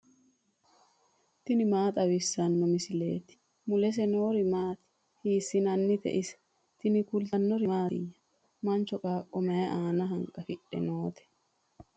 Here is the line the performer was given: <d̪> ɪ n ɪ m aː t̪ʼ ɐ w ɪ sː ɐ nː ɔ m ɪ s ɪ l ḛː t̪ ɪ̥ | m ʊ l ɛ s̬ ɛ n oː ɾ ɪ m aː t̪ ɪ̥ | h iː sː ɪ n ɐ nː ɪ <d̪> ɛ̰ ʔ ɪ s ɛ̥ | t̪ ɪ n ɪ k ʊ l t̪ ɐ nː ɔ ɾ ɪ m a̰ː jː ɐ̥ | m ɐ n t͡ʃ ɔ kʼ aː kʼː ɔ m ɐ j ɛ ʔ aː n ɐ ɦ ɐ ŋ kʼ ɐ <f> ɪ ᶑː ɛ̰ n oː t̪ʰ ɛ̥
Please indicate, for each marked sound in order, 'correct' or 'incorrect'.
incorrect: t̪, incorrect: t̪, correct

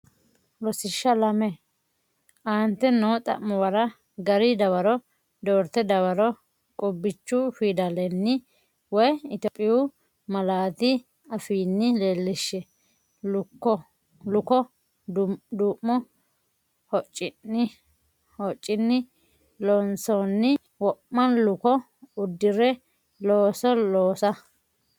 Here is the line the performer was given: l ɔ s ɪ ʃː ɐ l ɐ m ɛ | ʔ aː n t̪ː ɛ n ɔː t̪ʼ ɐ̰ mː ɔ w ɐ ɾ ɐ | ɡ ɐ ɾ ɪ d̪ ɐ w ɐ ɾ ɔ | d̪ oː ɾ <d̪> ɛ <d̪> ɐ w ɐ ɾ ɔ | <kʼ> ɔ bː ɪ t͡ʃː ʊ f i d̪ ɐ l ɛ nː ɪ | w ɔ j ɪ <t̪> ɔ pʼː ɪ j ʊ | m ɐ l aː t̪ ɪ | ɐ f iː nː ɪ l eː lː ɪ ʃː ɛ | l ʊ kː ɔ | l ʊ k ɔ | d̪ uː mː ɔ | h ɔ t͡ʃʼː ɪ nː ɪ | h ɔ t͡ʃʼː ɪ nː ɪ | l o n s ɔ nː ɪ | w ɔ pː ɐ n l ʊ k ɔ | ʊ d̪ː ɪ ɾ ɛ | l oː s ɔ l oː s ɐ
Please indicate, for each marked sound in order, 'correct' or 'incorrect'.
incorrect: t̪, correct, correct, correct

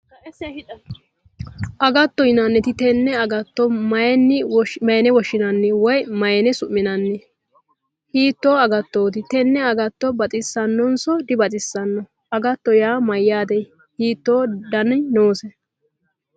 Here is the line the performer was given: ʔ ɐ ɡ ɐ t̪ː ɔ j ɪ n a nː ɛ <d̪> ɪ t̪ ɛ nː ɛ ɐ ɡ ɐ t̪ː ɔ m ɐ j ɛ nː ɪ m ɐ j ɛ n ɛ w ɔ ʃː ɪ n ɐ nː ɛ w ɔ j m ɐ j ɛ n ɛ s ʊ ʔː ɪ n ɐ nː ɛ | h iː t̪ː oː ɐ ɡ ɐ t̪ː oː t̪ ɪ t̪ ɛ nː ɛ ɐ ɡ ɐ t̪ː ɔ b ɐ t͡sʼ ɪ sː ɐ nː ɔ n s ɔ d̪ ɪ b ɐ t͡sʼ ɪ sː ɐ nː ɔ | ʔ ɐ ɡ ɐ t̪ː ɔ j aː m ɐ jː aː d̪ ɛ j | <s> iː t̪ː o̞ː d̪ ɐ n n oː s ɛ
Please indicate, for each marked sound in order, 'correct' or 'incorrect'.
incorrect: t̪, incorrect: h

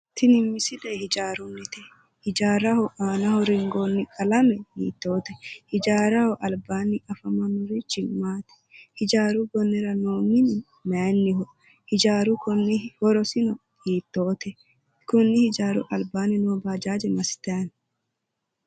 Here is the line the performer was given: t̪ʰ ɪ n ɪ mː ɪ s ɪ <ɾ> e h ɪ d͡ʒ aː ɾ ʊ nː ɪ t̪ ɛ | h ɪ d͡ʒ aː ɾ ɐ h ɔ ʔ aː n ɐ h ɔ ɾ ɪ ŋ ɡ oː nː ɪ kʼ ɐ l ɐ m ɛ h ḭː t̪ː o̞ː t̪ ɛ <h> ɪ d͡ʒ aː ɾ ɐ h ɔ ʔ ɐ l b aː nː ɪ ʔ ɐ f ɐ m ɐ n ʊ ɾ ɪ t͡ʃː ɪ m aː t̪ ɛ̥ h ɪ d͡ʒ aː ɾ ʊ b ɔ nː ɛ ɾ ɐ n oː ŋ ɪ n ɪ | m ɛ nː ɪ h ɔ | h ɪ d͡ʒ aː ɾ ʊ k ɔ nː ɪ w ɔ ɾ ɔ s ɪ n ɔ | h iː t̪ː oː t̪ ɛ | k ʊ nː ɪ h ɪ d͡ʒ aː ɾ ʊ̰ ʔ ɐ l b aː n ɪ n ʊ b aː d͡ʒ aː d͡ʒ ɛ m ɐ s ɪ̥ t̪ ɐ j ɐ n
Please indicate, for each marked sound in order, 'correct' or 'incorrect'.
incorrect: l, correct

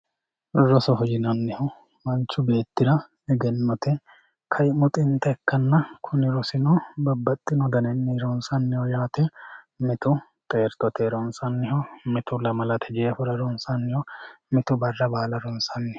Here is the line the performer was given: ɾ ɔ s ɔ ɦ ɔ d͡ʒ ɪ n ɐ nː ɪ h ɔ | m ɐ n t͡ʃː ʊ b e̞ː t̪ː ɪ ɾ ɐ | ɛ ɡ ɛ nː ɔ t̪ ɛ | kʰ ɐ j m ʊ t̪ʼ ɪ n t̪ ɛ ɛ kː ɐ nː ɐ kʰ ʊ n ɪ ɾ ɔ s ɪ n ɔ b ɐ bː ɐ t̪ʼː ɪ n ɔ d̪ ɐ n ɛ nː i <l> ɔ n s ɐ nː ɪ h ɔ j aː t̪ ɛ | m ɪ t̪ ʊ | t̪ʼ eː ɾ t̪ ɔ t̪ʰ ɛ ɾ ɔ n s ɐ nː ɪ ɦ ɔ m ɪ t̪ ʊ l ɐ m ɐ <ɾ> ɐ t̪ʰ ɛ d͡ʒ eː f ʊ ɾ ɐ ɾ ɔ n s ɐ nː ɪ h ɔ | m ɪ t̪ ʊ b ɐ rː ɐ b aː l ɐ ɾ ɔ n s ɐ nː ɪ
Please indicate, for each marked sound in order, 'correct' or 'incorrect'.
incorrect: ɾ, incorrect: l

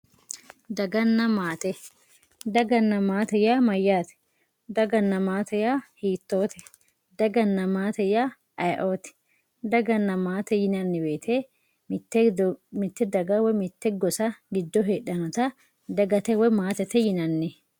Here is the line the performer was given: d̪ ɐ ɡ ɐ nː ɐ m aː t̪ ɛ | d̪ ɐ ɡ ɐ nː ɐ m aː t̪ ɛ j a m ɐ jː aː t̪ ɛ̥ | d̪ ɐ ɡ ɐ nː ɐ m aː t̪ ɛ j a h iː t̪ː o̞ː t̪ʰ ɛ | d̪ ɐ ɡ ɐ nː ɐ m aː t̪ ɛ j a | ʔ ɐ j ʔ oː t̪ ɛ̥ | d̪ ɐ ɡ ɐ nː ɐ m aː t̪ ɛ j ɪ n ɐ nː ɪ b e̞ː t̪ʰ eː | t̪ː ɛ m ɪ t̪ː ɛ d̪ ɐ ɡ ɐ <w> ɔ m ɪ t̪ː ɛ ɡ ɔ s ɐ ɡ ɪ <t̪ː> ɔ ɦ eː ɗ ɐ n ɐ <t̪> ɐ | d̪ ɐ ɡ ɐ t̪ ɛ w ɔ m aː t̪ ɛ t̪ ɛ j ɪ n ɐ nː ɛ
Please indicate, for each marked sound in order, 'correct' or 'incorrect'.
correct, incorrect: d̪ː, correct

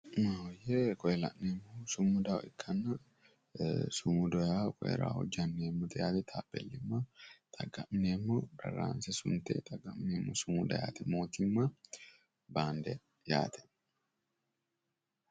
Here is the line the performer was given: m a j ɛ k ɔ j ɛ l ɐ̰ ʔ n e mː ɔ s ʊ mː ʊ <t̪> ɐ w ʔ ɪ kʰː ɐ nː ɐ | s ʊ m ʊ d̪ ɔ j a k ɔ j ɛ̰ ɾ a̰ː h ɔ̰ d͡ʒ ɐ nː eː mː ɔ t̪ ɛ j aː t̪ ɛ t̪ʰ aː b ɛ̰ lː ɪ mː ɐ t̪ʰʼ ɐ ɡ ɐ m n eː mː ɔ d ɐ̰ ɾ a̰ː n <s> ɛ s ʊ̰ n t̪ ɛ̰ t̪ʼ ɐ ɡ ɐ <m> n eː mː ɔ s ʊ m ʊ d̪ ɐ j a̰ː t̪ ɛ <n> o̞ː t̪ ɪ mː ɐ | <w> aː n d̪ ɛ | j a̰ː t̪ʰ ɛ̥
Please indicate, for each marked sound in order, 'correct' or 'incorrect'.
incorrect: d̪, correct, correct, incorrect: m, incorrect: b

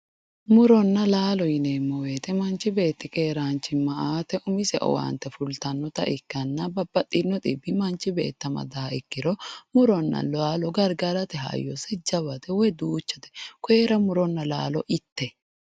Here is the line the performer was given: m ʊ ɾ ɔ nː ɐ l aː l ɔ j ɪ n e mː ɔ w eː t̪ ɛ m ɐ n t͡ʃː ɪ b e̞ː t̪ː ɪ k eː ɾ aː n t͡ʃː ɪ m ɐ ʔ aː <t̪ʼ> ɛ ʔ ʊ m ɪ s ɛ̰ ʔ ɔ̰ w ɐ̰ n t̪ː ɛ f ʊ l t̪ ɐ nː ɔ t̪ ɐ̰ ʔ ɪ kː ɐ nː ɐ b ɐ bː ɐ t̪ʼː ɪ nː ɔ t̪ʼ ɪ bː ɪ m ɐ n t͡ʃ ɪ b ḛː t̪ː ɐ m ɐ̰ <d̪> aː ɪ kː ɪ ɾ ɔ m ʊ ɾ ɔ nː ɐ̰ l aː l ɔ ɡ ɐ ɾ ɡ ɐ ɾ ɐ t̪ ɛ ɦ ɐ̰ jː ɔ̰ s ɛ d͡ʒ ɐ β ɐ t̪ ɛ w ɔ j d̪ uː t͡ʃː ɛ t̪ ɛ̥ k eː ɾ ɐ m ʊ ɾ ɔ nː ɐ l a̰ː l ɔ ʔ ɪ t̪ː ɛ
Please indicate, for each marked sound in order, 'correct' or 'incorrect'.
incorrect: t̪, correct

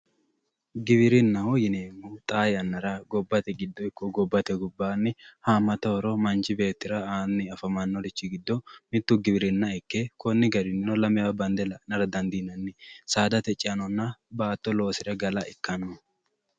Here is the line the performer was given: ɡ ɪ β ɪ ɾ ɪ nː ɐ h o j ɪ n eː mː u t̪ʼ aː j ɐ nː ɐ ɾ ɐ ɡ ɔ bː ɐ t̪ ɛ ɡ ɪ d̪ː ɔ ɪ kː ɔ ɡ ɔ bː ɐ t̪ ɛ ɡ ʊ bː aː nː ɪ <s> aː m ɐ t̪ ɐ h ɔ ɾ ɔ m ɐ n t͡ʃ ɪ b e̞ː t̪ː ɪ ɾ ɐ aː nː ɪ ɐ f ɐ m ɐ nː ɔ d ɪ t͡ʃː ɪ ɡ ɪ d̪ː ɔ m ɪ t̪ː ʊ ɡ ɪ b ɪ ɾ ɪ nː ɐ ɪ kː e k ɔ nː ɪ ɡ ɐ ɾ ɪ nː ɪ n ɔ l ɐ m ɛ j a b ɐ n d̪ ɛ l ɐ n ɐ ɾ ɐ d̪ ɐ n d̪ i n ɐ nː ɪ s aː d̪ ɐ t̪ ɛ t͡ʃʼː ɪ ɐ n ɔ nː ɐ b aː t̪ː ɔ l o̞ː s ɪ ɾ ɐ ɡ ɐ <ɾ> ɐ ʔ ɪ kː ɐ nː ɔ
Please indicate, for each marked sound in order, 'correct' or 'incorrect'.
incorrect: h, incorrect: l

